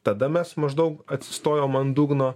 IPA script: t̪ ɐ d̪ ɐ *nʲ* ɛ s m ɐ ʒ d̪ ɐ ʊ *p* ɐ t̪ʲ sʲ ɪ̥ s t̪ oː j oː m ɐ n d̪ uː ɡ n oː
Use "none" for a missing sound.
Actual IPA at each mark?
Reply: mʲ, k

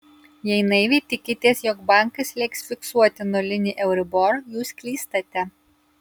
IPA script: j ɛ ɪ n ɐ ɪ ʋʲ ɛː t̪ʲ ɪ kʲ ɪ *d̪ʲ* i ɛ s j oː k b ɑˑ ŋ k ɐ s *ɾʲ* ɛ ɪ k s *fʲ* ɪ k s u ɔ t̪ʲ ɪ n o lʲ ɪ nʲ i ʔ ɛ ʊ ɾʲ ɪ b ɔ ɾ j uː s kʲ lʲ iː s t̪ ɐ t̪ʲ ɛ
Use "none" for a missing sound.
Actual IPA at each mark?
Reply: t̪ʲ, lʲ, fʲ

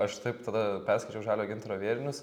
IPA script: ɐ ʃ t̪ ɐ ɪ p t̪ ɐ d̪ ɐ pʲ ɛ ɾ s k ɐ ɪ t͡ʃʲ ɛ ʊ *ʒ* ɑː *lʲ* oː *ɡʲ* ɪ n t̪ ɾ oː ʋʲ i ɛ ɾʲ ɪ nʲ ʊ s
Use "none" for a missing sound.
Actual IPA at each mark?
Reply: ʒ, lʲ, ɡʲ

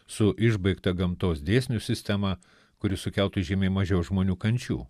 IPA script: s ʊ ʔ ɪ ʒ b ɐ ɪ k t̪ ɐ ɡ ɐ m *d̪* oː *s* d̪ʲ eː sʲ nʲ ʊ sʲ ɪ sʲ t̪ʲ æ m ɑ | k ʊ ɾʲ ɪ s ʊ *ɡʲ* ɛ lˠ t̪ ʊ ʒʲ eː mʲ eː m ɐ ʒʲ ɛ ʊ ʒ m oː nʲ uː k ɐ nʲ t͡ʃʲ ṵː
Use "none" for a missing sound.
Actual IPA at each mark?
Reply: t̪, s, kʲ

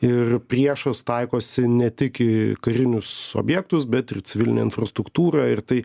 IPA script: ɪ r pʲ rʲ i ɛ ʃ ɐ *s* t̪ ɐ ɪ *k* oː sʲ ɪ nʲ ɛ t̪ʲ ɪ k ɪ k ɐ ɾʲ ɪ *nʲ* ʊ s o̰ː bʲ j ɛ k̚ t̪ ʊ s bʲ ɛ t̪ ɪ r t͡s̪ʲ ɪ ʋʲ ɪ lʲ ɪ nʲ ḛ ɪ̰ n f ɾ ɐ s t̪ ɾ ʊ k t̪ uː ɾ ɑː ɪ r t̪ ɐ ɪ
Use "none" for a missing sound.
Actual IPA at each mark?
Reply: s, k, nʲ

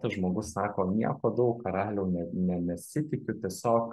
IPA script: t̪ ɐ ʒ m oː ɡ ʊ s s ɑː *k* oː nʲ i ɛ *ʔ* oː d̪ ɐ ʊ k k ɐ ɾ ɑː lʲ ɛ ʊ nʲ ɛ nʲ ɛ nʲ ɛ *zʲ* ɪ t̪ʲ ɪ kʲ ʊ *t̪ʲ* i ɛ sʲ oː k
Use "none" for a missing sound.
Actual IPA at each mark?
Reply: k, k, sʲ, t̪ʲ

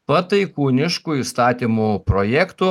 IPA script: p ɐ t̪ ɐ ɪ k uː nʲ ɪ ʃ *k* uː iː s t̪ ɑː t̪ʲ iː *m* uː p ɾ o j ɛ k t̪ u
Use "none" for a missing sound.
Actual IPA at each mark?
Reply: k, m

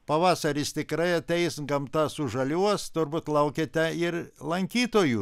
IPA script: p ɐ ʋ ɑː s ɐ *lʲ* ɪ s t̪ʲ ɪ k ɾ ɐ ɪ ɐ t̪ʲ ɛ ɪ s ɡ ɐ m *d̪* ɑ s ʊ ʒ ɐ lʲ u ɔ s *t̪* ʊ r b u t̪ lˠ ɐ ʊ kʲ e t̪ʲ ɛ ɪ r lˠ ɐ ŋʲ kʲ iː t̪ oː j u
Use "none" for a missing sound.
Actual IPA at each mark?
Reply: ɾʲ, t̪, t̪

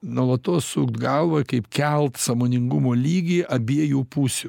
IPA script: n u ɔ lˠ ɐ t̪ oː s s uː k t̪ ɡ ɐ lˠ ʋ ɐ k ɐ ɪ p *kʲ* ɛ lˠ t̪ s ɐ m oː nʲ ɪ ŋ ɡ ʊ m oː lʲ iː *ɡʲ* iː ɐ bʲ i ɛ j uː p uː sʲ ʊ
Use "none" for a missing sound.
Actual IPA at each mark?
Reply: kʲ, ɡʲ

